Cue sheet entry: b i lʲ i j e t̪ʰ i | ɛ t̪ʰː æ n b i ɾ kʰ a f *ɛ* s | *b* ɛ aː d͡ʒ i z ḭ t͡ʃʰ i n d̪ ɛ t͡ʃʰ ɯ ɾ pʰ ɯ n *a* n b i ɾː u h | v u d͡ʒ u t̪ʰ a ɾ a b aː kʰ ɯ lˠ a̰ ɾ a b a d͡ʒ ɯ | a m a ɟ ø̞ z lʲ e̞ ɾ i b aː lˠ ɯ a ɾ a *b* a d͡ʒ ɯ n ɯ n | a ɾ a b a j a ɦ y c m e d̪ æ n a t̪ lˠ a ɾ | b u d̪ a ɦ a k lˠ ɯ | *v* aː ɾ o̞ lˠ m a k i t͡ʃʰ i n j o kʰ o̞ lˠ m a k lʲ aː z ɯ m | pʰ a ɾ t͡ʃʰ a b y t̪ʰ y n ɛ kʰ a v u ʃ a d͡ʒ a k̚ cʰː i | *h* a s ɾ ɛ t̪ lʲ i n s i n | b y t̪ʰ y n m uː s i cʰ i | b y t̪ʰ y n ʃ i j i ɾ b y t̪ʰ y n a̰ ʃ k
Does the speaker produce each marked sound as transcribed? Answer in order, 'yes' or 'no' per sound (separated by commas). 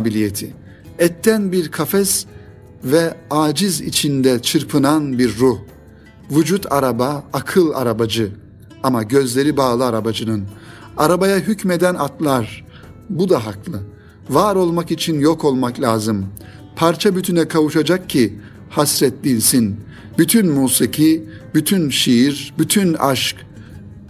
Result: yes, no, yes, yes, yes, yes